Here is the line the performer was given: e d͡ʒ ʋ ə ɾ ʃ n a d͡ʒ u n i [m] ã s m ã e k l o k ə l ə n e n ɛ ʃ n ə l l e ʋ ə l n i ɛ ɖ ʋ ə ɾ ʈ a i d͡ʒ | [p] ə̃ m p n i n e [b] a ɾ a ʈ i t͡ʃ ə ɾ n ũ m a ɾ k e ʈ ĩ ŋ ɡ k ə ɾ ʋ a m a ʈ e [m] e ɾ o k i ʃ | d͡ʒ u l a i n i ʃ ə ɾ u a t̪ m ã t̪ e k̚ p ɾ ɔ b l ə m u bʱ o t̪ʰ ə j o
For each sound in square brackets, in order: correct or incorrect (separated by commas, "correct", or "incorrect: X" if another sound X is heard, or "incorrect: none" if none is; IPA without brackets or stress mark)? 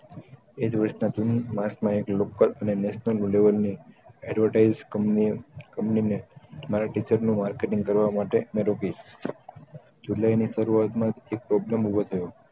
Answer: correct, incorrect: k, incorrect: m, correct